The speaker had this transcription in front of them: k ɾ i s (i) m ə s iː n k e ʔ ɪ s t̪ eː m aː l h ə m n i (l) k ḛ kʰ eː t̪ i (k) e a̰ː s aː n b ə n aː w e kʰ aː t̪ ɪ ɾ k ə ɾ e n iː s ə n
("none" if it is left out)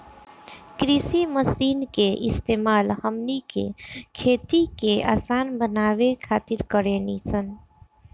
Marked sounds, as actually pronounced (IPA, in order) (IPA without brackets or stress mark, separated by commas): i, none, k